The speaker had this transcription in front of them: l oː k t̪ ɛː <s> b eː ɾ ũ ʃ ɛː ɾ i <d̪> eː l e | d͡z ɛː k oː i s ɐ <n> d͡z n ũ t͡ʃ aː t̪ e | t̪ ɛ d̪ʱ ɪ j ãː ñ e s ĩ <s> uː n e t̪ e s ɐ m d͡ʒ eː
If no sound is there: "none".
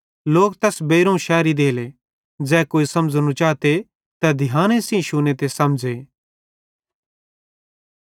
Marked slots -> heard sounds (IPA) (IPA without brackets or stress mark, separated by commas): s, d̪, m, ʃ